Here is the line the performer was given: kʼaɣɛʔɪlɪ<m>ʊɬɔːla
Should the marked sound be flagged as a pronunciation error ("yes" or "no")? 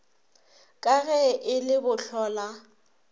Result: yes